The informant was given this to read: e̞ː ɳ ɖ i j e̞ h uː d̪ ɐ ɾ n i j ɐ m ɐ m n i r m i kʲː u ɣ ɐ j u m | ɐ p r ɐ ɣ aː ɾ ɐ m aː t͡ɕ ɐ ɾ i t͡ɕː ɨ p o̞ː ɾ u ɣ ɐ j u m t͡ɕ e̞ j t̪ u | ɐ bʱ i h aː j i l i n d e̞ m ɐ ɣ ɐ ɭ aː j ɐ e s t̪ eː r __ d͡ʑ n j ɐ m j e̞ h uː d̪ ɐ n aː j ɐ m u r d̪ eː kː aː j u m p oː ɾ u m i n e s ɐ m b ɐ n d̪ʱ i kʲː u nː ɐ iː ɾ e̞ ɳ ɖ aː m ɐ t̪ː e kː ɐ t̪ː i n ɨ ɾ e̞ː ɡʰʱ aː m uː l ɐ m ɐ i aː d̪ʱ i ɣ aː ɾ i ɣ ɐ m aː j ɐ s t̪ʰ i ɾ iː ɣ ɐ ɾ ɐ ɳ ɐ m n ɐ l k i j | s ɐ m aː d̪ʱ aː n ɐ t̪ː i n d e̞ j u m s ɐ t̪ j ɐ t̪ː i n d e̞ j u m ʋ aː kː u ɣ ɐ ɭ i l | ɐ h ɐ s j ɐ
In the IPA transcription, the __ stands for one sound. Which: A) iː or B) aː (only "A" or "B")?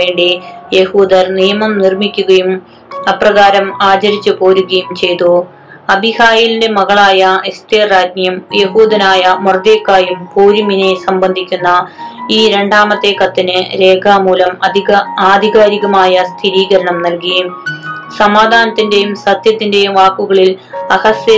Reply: B